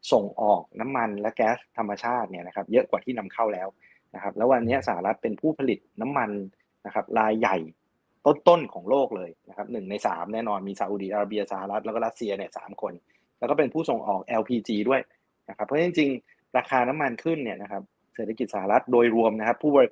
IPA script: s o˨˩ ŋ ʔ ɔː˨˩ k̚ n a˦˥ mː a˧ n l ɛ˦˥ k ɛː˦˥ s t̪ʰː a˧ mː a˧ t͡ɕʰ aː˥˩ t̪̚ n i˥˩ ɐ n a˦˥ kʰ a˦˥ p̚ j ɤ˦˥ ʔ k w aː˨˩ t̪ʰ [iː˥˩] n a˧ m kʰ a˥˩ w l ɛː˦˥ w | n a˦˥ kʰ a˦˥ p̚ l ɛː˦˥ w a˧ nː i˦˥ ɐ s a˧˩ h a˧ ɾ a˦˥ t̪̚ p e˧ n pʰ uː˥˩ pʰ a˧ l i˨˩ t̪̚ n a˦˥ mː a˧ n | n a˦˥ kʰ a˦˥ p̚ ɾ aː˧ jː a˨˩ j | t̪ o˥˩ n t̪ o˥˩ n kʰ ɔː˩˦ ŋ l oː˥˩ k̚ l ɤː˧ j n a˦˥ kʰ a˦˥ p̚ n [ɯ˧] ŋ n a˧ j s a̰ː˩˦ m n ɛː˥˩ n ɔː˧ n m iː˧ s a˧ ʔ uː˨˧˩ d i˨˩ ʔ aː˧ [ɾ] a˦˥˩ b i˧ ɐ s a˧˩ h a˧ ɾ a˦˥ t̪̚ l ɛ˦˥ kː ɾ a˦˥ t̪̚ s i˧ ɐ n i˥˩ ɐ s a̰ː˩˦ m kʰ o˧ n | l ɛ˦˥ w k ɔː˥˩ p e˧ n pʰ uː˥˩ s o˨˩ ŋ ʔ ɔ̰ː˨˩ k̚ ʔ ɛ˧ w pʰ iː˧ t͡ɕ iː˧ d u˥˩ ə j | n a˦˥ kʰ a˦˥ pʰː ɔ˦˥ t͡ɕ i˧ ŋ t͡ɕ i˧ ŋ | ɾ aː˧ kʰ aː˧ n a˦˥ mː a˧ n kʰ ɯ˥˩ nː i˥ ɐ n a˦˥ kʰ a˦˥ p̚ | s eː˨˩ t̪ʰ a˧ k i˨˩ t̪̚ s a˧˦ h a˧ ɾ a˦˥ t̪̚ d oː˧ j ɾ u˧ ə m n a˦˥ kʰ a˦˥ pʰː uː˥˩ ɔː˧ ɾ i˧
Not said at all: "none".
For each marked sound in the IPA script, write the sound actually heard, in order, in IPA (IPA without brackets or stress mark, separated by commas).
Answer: iː˥˩, ɯ˨˩, ɾ